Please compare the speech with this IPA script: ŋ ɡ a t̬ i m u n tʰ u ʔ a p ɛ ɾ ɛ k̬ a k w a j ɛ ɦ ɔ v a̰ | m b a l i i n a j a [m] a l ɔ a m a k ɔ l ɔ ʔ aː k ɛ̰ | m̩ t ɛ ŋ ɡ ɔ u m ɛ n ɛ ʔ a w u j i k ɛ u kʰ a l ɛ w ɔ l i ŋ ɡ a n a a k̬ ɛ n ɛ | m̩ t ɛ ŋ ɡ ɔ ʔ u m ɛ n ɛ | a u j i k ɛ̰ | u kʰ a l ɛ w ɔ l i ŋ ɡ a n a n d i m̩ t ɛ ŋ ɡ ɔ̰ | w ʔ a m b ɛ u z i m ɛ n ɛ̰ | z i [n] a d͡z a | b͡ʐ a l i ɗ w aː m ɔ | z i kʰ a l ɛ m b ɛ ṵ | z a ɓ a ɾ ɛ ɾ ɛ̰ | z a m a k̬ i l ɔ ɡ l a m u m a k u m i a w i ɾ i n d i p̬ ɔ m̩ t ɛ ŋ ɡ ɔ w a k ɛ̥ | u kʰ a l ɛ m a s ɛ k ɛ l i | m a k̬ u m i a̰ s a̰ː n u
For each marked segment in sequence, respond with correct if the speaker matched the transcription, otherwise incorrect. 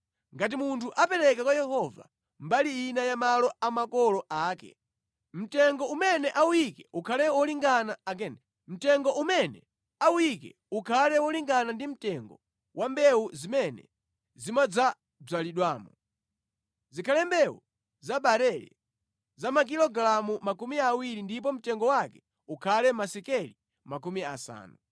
correct, incorrect

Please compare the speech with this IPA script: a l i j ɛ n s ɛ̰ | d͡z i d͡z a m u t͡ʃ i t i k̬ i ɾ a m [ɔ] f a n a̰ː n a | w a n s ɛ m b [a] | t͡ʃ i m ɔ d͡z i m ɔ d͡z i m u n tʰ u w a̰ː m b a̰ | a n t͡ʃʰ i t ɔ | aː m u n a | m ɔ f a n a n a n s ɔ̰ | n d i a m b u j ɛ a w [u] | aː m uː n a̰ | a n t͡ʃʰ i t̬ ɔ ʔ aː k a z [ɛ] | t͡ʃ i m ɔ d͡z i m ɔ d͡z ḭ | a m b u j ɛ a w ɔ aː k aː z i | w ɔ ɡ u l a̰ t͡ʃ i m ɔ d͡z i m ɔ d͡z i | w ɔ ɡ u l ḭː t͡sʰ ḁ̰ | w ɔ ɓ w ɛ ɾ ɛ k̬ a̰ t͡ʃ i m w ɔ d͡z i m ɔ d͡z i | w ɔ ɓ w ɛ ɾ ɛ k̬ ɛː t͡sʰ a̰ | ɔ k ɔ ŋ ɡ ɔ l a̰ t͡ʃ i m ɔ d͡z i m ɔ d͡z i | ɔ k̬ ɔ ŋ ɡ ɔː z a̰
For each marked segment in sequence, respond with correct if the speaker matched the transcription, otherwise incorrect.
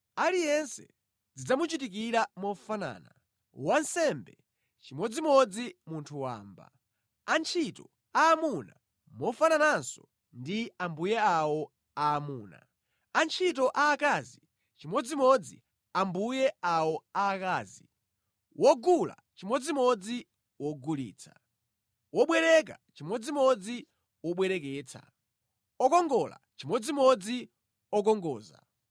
correct, incorrect, incorrect, incorrect

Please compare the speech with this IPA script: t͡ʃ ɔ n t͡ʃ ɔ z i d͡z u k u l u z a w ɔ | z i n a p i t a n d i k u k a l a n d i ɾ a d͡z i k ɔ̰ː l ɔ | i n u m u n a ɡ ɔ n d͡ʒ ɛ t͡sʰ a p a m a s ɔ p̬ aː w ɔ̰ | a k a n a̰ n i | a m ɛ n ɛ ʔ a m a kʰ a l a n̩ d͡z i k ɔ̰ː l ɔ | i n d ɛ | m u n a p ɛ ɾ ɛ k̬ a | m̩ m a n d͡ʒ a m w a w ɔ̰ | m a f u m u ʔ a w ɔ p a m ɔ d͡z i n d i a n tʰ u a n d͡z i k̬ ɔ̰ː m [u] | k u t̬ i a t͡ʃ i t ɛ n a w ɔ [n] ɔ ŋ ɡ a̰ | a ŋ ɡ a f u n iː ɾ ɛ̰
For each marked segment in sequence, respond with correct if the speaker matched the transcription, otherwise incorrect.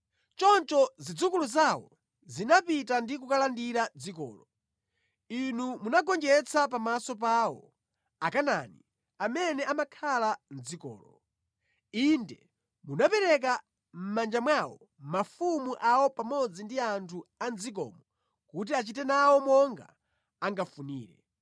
incorrect, incorrect

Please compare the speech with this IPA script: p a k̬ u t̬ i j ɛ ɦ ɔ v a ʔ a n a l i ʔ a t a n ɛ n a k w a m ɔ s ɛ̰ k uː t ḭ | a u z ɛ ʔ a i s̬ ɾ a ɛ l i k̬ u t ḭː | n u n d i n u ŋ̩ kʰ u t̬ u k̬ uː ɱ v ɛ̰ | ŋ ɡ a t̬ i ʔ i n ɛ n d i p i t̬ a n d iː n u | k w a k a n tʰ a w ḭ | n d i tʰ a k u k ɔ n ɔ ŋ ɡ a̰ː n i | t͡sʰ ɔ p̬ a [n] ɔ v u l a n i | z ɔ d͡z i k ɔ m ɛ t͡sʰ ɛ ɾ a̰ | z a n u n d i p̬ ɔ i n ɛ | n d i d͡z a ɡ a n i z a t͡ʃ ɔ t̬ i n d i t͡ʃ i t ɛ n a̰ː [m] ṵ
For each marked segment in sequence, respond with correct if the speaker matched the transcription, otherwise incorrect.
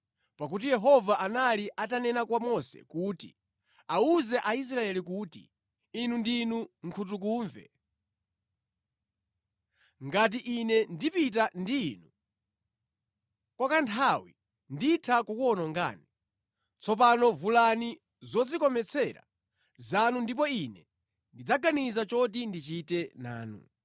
correct, incorrect

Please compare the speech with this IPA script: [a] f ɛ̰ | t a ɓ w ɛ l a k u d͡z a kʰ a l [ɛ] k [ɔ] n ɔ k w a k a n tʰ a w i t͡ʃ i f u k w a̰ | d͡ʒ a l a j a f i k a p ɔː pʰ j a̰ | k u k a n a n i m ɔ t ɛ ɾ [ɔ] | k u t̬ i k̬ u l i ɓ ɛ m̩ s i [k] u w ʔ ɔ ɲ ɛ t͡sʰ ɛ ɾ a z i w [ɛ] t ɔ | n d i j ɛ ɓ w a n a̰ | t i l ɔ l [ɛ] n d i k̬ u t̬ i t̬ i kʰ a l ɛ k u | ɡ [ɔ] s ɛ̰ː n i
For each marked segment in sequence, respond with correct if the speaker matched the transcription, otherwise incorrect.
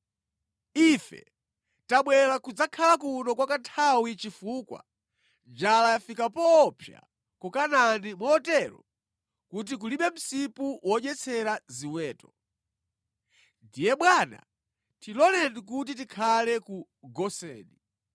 incorrect, incorrect, incorrect, correct, incorrect, incorrect, correct, correct

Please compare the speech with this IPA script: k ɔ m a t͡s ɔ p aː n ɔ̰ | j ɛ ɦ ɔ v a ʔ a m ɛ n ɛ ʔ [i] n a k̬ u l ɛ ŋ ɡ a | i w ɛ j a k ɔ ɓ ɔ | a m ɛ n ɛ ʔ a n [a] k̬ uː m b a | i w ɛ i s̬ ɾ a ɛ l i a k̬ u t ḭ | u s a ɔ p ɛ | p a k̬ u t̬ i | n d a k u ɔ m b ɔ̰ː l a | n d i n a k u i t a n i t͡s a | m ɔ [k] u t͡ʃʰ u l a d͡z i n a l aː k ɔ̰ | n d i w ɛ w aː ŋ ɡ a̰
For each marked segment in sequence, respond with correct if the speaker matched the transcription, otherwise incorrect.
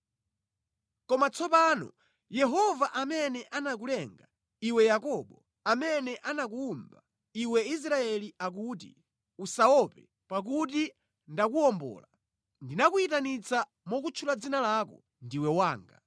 incorrect, correct, correct

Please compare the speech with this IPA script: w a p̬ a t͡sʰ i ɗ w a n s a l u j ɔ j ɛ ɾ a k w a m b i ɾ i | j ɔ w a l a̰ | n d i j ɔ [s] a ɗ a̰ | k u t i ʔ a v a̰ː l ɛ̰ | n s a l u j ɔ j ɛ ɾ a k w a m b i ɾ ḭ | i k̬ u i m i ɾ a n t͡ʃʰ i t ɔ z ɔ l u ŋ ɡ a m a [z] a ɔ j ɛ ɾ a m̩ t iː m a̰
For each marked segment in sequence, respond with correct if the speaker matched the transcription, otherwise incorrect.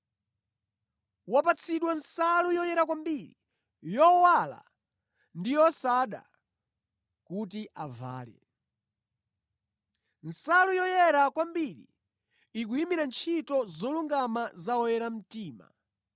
correct, correct

